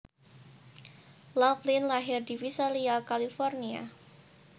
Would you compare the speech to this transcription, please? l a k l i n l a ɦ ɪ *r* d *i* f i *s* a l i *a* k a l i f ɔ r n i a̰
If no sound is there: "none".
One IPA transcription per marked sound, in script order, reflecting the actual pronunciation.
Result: r, i, s, a

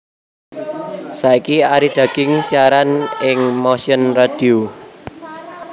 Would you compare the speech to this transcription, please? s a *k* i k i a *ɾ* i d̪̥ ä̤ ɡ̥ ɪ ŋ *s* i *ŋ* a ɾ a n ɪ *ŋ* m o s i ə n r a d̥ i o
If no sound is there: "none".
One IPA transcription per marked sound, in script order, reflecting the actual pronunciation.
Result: none, ɾ, s, none, ŋ

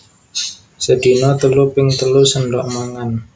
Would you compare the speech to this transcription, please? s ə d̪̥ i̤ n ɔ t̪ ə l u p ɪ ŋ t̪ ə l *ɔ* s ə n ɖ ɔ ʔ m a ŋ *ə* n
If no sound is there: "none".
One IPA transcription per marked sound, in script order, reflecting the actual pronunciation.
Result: u, a

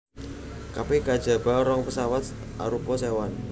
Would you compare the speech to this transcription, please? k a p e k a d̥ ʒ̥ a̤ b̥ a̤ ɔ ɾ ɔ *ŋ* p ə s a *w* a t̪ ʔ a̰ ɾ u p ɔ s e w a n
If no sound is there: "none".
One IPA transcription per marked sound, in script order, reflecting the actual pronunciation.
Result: ŋ, w

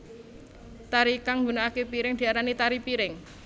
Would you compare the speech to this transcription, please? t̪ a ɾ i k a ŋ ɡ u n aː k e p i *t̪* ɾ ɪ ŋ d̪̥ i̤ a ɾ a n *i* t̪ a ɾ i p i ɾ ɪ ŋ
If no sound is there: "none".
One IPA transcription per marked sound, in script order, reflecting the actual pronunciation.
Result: none, i

